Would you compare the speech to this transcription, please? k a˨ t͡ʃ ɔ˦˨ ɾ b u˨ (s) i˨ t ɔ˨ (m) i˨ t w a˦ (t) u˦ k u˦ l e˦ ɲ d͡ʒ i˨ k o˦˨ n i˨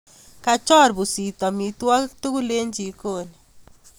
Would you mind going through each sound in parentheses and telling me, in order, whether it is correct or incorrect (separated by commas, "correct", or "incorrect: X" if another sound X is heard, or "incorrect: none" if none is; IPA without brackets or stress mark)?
correct, correct, correct